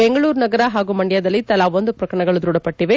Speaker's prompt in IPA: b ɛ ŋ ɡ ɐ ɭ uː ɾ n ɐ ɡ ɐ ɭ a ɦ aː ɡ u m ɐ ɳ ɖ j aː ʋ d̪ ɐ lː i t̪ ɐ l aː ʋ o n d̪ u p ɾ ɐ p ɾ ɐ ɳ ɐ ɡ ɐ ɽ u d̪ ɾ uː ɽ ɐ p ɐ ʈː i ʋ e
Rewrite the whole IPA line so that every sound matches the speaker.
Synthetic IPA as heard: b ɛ ŋ ɡ ɐ ɭ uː ɾ n ɐ ɡ ɐ ɾ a ɦ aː ɡ u m ɐ ɳ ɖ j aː d̪ ɐ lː i t̪ ɐ l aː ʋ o n d̪ u p ɾ ɐ k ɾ ɐ ɳ ɐ ɡ ɐ ɭ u d̪ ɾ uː ɽ ɐ p ɐ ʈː i ʋ e